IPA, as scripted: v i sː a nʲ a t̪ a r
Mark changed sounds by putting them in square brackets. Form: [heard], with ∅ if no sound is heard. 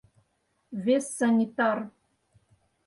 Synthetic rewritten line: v [e] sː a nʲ [i] t̪ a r